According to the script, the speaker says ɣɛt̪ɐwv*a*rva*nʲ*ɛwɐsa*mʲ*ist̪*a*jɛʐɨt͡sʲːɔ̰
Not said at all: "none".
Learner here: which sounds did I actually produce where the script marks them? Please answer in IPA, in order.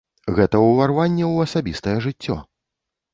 a, nʲː, bʲ, ɐ

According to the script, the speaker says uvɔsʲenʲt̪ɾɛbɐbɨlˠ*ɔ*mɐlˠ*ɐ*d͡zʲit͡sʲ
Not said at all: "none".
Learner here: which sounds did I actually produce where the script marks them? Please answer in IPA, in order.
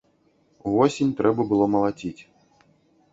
ɔ, a

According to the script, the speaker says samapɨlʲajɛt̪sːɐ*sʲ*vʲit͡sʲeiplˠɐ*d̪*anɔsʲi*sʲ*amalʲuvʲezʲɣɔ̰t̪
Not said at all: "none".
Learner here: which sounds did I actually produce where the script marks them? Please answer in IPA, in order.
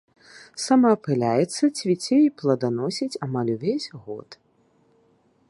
t͡sʲ, d̪, t͡sʲ

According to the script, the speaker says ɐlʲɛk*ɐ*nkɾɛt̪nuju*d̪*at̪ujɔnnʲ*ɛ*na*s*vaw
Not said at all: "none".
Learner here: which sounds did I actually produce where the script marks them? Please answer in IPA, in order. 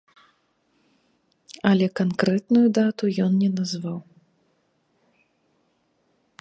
a, d̪, ɛ, z

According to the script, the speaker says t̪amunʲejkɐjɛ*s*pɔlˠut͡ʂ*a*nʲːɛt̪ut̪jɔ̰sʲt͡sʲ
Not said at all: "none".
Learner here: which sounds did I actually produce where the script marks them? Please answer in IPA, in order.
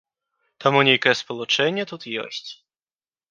s, ɛ

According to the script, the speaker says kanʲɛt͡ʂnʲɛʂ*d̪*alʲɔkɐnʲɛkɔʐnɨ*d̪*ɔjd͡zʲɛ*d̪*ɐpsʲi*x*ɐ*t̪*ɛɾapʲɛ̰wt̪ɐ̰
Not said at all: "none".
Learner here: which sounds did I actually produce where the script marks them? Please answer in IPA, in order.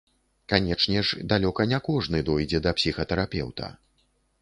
d̪, d̪, d̪, x, t̪

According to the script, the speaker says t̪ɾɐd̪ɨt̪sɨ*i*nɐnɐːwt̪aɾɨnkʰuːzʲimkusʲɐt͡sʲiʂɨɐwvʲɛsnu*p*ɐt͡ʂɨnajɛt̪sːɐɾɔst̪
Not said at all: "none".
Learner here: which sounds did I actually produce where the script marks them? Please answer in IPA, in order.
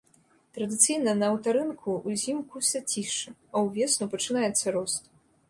j, p

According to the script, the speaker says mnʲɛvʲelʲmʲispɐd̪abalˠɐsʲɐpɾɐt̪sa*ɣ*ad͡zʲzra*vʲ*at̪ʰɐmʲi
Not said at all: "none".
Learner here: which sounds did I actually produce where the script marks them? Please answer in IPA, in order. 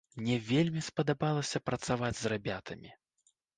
v, bʲ

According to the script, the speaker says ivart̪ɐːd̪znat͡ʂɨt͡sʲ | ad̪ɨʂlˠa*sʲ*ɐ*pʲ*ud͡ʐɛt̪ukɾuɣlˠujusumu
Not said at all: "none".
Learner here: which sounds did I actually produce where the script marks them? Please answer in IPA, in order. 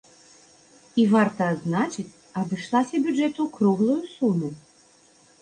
sʲ, bʲ

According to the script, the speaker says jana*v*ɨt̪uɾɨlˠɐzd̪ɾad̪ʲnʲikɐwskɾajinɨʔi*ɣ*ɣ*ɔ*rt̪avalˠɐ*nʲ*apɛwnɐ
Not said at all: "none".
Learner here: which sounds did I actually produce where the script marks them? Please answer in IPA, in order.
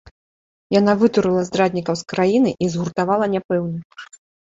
v, z, u, nʲ

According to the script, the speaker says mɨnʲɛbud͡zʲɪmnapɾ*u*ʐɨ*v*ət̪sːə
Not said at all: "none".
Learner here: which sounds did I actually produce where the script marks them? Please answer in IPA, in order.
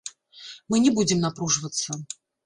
u, v

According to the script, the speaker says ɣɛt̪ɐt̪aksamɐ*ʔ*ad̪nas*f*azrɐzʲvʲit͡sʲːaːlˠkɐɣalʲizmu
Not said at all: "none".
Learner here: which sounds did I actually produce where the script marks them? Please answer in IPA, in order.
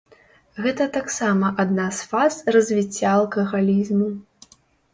ʔ, f

